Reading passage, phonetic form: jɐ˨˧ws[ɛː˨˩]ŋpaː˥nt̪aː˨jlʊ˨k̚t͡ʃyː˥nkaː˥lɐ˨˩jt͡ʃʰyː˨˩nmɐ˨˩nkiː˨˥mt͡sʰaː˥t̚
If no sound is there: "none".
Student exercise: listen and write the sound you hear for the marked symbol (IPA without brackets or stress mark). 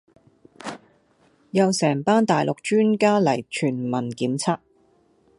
ɛː˨˩